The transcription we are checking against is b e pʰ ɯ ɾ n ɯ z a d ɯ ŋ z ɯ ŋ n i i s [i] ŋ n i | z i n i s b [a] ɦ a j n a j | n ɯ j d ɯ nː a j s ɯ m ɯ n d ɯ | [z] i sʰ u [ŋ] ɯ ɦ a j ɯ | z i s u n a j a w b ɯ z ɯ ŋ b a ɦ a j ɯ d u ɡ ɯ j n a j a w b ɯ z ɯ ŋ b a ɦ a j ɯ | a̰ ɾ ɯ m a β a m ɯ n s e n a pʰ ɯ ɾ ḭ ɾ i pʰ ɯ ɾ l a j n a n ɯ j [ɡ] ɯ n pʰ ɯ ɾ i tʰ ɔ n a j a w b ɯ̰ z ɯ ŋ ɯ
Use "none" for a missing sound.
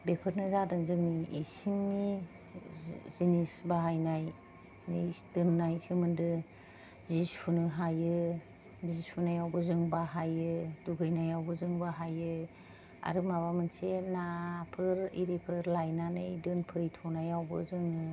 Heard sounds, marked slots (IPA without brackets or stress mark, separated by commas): i, a, z, n, d